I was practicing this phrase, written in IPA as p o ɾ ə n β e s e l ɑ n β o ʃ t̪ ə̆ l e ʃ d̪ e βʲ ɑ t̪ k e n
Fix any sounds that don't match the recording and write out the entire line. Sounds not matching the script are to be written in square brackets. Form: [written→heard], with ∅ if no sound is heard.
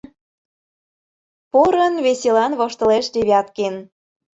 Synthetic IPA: p o ɾ ə n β e s e l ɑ n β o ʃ t̪ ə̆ l e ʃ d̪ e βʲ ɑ t̪ k e n

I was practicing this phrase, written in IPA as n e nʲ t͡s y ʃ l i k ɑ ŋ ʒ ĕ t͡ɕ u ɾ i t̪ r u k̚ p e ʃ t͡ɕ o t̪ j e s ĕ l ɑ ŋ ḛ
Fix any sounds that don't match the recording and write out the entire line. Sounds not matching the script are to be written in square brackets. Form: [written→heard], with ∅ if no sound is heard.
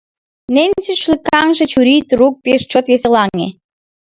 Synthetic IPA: n e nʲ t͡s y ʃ l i k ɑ ŋ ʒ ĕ t͡ɕ u ɾ i t̪ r u k̚ p e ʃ t͡ɕ o t̪ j e s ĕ l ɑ ŋ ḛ

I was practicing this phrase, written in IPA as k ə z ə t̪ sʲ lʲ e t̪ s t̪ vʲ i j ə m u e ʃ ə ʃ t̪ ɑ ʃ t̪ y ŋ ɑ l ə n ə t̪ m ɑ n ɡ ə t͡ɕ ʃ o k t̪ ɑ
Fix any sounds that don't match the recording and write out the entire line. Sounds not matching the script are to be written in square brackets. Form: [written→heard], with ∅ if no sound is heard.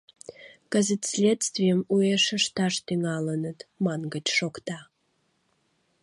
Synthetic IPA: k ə z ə t̪ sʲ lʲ e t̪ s t̪ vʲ i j ə m u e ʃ ə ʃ t̪ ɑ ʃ t̪ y ŋ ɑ l ə n ə t̪ m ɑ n ɡ ə t͡ɕ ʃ o k t̪ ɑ

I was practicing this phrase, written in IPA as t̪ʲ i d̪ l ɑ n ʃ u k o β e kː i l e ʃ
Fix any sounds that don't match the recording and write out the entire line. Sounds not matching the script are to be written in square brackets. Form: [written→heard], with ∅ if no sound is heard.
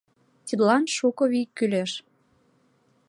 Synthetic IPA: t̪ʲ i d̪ l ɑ n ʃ u k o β [e→i] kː [i→y] l e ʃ

